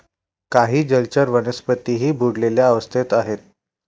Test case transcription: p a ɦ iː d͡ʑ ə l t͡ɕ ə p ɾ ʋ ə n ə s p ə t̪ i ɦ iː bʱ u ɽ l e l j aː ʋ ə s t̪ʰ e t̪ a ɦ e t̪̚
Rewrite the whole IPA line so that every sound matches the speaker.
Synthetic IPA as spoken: k a ɦ iː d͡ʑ ə l t͡ɕ ə ɾ ʋ ə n ə s p ə t̪ i ɦ iː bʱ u ɽ l e l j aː ʋ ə s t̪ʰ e t̪ a ɦ e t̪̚